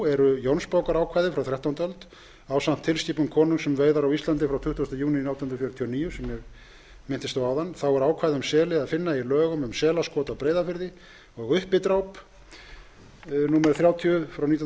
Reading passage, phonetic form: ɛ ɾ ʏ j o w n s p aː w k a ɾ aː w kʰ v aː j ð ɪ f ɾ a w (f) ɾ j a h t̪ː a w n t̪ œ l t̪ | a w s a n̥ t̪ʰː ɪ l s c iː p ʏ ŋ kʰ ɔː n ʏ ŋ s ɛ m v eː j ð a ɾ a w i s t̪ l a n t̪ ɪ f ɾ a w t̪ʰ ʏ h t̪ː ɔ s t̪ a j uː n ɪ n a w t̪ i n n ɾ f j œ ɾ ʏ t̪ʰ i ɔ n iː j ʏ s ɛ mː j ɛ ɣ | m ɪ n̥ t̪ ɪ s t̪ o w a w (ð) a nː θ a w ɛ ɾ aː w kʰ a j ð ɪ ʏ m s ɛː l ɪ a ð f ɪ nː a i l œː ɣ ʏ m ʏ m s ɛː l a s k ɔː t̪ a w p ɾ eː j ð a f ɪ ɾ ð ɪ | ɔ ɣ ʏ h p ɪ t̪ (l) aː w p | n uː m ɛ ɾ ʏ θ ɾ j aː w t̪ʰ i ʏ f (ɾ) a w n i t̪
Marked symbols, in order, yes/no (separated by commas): no, yes, no, yes